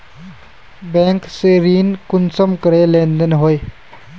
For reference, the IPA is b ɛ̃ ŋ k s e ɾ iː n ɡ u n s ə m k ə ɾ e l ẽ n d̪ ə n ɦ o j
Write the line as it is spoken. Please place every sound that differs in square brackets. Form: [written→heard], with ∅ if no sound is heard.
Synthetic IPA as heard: b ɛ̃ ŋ k s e ɾ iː n [ɡ→k] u n s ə m k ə ɾ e l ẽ n d̪ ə n ɦ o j